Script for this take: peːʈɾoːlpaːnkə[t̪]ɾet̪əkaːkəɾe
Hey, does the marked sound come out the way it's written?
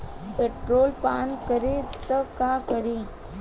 no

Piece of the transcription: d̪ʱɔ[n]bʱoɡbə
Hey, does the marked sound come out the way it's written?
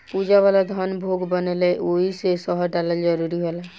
yes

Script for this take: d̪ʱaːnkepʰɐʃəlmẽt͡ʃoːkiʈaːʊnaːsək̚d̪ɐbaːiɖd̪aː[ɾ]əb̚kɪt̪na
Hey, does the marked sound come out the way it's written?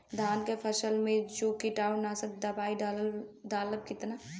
no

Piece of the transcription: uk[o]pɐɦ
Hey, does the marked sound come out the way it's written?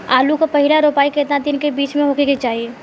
yes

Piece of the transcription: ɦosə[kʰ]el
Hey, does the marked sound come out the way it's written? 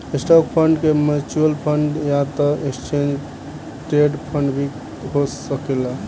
no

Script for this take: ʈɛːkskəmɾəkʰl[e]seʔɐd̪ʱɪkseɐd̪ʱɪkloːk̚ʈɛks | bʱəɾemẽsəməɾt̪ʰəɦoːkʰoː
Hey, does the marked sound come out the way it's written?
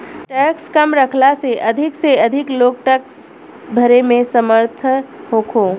no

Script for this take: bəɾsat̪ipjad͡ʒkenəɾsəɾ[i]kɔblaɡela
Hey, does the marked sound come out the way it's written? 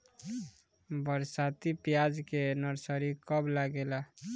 yes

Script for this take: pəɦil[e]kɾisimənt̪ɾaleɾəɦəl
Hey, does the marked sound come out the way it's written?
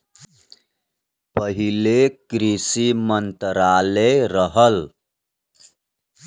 yes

